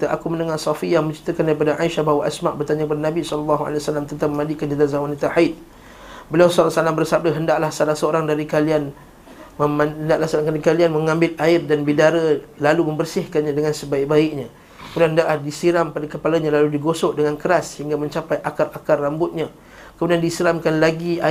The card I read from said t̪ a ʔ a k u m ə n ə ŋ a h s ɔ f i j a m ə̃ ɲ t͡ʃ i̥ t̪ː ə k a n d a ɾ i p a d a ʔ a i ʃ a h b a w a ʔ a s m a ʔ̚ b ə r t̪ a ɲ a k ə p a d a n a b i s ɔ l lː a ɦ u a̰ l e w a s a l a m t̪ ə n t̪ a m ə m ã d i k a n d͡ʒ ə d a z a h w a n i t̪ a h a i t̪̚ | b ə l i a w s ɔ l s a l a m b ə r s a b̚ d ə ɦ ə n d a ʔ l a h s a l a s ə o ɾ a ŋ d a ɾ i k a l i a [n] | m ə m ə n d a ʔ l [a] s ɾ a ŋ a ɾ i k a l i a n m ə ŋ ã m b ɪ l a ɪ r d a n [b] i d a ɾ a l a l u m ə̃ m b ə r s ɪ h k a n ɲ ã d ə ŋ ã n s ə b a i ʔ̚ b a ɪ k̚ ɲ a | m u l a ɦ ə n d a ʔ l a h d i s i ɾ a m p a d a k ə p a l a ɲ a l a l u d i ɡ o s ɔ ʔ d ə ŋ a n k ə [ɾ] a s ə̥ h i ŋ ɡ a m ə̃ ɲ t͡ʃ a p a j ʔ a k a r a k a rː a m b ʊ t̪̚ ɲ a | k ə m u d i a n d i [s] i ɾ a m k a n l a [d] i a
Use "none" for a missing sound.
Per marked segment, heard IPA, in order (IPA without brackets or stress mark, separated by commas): n, a, b, ɾ, s, ɡ